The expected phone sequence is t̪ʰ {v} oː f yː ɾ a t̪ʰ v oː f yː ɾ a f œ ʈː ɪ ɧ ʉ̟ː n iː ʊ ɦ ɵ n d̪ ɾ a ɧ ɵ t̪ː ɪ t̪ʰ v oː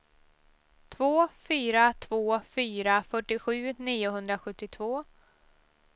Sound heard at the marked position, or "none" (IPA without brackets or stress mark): v